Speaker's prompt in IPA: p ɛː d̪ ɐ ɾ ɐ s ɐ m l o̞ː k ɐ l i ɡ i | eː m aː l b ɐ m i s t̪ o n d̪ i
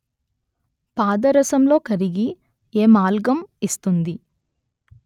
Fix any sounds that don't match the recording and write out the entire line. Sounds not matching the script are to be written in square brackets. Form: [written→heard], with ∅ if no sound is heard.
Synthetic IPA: p [ɛː→aː] d̪ ɐ ɾ ɐ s ɐ m l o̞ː k ɐ [l→ɾ] i ɡ i | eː m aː l [b→ɡ] ɐ m i s t̪ [o→u] n d̪ i